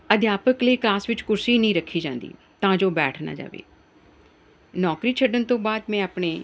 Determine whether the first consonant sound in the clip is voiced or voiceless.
voiced